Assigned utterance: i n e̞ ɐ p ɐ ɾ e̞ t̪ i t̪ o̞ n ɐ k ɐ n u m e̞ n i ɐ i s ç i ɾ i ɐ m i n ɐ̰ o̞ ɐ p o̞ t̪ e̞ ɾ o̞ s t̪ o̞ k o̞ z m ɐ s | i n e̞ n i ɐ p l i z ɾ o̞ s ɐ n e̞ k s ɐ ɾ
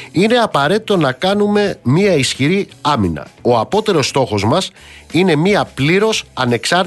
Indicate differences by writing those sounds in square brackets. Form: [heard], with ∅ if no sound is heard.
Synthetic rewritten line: i n e̞ ɐ p ɐ ɾ e̞ t̪ i t̪ o̞ n ɐ k ɐ n u m e̞ [m] i ɐ i s ç i ɾ i ɐ m i n ɐ̰ o̞ ɐ p o̞ t̪ e̞ ɾ o̞ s t̪ o̞ [x] o̞ z m ɐ s | i n e̞ [m] i ɐ p l i [∅] ɾ o̞ s ɐ n e̞ k s ɐ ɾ